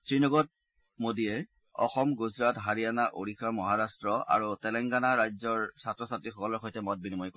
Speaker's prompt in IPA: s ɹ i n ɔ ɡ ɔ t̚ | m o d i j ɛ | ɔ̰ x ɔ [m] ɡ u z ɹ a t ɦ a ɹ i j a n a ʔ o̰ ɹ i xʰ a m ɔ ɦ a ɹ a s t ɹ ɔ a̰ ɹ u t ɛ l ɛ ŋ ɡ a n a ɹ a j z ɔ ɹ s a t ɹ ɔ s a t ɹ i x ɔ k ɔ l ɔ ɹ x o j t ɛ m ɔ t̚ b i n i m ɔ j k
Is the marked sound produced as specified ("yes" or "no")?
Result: yes